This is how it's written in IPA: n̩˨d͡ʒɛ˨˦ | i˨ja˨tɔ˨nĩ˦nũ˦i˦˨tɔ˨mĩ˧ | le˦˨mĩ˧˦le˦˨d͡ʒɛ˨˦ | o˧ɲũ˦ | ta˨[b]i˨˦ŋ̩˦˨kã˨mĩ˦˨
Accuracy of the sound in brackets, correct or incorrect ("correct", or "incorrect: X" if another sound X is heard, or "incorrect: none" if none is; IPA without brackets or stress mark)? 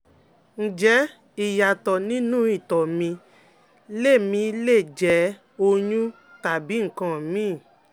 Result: correct